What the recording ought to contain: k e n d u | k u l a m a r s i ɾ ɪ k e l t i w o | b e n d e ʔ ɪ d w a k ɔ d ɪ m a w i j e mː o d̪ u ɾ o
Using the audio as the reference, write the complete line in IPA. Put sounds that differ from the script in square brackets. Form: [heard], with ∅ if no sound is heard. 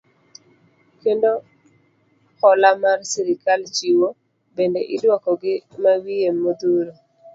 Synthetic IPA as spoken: k e n d [o] | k [ɔ] l a m a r s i ɾ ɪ k [a] l [t͡ʃ] i w o | b e n d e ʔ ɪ d w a k ɔ [ɡ] ɪ m a w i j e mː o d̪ u ɾ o